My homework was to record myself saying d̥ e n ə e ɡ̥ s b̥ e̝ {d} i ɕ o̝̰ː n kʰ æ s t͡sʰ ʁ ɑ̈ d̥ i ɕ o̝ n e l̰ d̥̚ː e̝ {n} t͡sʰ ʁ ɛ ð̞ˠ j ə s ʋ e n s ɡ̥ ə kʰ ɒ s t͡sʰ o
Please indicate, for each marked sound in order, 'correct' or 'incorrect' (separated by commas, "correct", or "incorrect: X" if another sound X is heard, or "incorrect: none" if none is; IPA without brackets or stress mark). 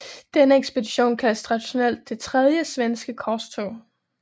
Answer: correct, incorrect: none